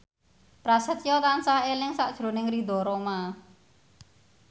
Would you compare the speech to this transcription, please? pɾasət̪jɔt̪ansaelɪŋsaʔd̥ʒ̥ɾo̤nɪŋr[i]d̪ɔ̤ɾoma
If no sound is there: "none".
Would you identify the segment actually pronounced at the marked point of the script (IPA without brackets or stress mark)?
i